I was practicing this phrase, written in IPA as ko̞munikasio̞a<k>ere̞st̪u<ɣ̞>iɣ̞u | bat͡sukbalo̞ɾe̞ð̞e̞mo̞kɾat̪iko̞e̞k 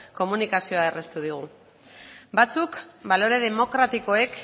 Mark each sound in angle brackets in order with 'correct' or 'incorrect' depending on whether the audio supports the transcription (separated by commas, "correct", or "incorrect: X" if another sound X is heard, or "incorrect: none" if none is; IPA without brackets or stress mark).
incorrect: none, incorrect: ð̞